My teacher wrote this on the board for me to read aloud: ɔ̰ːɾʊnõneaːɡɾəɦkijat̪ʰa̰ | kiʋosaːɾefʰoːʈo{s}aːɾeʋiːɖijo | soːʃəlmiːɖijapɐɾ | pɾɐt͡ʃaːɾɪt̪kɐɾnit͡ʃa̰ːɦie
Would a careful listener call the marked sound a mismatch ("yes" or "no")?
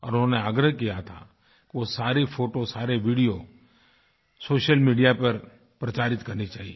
no